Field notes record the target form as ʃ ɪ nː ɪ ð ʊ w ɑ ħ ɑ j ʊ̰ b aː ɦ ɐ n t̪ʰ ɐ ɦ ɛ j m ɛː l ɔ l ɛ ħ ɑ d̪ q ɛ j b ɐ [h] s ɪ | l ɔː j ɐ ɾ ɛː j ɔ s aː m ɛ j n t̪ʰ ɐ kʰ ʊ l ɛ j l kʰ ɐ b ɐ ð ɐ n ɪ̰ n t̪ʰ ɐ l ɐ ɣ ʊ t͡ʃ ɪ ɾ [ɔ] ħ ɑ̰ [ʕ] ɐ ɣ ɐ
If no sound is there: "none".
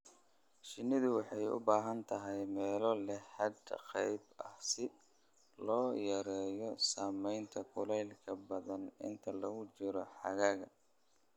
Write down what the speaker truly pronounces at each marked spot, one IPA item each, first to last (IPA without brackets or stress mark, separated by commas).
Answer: h, ɔ, ɣ